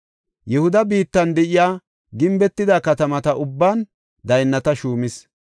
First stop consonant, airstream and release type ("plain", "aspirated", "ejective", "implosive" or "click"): plain